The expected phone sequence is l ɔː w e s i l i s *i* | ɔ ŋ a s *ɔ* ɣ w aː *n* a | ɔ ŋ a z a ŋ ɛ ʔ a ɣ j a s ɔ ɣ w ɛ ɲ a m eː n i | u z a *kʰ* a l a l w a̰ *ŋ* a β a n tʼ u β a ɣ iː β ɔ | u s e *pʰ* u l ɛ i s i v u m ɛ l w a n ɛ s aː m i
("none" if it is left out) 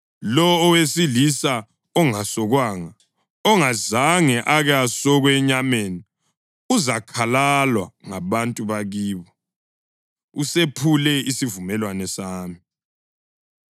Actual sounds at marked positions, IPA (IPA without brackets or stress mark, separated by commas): a, ɔ, ŋ, kʰ, ŋ, pʰ